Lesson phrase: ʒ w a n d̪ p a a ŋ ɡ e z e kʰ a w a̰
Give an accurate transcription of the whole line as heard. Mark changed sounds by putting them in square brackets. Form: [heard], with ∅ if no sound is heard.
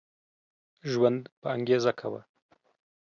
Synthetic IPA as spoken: ʒ w a n d̪ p [ə] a ŋ ɡ e z [a] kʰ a w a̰